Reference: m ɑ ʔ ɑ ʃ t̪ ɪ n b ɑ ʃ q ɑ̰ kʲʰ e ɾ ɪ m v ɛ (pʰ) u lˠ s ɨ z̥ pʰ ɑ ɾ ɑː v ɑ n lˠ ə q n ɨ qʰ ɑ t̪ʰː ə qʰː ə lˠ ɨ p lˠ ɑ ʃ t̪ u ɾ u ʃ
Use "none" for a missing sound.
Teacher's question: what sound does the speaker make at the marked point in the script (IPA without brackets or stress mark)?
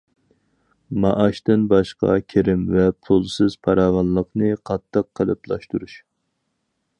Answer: pʰ